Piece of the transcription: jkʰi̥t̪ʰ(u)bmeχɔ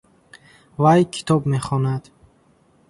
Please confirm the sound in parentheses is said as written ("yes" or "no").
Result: no